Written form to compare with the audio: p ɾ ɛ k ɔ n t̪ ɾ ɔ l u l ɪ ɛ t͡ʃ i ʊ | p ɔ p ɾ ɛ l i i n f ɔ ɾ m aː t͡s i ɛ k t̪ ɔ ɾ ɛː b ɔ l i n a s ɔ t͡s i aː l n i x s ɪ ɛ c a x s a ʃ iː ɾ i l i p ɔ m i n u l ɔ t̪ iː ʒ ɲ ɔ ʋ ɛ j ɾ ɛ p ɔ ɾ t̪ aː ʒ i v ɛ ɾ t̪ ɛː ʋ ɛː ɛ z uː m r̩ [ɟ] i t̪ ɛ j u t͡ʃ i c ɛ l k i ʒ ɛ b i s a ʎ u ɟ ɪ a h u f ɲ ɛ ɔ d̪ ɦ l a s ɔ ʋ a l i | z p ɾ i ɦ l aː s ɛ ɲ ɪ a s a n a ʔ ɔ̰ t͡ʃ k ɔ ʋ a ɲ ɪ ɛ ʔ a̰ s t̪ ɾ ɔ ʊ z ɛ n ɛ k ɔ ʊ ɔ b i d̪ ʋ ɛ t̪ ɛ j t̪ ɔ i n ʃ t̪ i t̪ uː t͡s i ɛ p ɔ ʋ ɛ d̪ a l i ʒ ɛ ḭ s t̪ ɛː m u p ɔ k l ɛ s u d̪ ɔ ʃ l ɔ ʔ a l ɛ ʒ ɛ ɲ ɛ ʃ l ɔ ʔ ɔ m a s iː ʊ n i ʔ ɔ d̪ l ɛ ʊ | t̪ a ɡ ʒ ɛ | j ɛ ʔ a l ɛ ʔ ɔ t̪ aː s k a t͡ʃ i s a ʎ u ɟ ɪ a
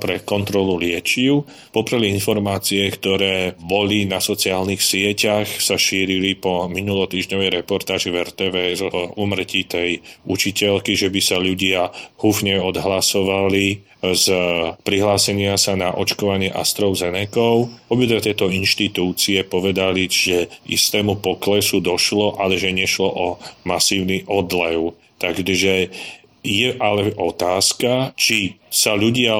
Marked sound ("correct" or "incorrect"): incorrect